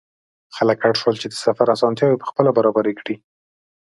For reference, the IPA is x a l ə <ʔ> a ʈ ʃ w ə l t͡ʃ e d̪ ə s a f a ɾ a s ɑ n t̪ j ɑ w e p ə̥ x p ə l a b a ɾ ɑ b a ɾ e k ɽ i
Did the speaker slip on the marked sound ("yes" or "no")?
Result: yes